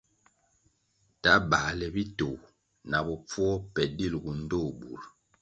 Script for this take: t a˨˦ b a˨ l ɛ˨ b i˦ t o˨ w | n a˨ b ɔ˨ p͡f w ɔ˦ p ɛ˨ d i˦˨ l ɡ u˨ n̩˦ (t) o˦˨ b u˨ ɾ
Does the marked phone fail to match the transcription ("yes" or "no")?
yes